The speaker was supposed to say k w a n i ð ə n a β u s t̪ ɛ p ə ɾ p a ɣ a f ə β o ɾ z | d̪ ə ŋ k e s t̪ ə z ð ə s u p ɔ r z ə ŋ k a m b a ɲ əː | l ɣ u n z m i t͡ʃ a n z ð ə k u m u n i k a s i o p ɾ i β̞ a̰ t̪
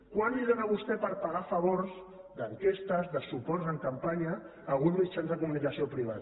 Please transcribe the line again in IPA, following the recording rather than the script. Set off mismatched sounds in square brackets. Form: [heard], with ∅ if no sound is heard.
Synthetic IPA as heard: k w a n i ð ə n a β u s t̪ ɛ p ə ɾ p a ɣ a f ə β o ɾ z | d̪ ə ŋ k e s t̪ ə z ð ə s u p ɔ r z ə ŋ k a m [p] a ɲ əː | l ɣ u n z m i t͡ʃ a n z ð ə k u m u n i k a s i o p ɾ i β̞ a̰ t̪